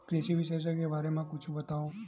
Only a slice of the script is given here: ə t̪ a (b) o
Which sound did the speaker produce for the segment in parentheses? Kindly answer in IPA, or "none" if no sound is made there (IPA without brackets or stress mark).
none